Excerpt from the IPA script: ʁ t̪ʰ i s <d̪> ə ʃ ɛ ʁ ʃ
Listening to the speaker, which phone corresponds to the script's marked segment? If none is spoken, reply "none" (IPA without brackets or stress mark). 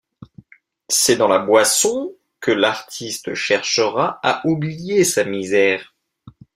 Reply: t̪